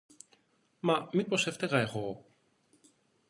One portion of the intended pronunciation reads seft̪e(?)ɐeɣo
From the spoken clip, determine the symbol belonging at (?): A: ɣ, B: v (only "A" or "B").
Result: A